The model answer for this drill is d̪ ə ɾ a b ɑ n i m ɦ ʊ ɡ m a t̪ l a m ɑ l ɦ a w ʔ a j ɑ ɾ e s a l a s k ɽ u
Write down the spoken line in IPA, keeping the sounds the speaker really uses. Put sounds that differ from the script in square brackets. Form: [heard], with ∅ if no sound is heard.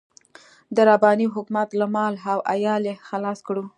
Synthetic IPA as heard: d̪ ə ɾ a b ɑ n i [∅] ɦ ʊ [k] m a t̪ l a m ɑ l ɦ a w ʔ a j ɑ [l] e [x] a l [ɑ] s k ɽ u